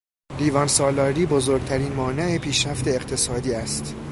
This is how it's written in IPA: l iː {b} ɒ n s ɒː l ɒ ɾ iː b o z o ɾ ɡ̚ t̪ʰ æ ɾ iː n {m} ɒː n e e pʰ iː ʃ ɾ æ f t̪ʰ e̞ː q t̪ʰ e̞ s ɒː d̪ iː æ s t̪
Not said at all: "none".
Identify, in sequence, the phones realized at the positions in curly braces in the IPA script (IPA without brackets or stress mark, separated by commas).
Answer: v, m